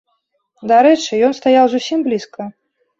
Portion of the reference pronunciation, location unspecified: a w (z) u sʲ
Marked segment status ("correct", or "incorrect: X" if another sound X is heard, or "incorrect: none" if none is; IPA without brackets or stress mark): correct